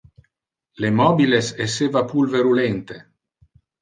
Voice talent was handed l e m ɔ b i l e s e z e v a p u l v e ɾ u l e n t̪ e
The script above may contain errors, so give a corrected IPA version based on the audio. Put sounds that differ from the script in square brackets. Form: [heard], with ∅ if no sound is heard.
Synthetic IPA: l e m ɔ b i l e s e [s] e v a p u l v e ɾ u l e n t̪ e